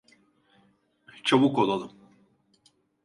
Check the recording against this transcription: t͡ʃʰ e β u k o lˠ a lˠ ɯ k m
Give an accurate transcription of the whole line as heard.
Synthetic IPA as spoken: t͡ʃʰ a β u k o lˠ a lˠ ɯ m